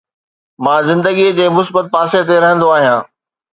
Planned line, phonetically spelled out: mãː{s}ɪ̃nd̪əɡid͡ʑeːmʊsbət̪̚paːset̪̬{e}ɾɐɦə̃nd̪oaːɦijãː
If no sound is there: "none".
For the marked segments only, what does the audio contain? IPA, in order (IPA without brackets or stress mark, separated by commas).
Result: z, e